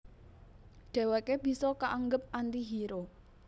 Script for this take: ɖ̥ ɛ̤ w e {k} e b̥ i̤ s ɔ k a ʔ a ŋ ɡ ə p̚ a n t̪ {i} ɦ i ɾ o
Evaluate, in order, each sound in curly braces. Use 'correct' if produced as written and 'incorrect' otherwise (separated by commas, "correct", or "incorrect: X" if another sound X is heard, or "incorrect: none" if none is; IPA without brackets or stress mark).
correct, correct